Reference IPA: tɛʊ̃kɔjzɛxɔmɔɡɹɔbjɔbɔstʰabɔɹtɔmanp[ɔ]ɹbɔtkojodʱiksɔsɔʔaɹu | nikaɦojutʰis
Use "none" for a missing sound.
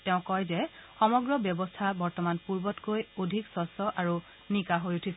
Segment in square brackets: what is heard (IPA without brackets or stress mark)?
u